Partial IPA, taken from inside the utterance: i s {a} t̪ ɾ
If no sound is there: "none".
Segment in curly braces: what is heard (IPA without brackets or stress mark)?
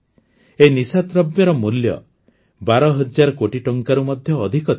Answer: a